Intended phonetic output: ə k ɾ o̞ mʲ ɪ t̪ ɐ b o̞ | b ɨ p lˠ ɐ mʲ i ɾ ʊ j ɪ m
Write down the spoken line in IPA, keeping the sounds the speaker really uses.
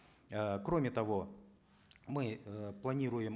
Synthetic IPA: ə k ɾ o̞ mʲ ɪ t̪ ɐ v o̞ | m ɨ p lˠ ɐ nʲ i ɾ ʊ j ɪ m